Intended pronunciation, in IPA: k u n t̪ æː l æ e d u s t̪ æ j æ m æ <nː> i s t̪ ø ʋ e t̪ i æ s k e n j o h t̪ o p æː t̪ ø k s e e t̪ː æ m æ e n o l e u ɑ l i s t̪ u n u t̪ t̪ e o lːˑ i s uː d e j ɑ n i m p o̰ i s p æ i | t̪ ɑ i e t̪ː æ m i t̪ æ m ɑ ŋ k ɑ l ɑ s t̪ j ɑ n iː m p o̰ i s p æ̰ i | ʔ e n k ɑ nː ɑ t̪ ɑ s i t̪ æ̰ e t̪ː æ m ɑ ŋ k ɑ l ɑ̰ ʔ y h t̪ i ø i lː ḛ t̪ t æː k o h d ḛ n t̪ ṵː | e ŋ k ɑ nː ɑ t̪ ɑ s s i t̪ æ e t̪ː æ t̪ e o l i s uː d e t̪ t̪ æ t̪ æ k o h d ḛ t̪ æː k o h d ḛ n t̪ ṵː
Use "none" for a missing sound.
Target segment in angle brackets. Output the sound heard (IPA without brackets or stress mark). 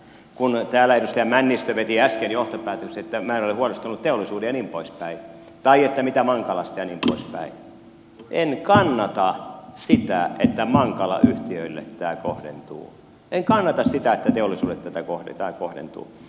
nː